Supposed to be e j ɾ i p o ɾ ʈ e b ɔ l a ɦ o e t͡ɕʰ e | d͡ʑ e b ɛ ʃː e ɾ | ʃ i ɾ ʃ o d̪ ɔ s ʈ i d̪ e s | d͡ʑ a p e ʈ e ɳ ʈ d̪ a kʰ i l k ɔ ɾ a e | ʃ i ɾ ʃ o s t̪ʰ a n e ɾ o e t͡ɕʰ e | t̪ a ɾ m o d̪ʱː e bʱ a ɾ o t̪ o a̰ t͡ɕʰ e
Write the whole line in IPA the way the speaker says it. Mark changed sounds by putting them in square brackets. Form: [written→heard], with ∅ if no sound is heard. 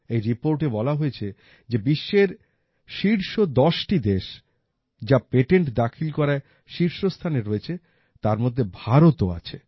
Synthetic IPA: e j ɾ i p o ɾ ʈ e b ɔ l a ɦ o e t͡ɕʰ e | d͡ʑ e b [ɛ→i] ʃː e ɾ | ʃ i ɾ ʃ o d̪ ɔ [s→ʃ] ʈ i d̪ e [s→ʃ] | d͡ʑ a p e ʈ e ɳ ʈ d̪ a kʰ i l k ɔ ɾ a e | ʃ i ɾ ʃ o s t̪ʰ a n e ɾ o e t͡ɕʰ e | t̪ a ɾ m o d̪ʱː e bʱ a ɾ o t̪ o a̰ t͡ɕʰ e